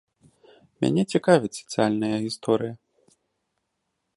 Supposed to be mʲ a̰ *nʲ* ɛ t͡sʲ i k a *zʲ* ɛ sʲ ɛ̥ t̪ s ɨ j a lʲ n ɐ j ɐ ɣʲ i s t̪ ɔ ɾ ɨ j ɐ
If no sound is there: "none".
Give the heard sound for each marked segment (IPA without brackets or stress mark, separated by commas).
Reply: nʲ, vʲ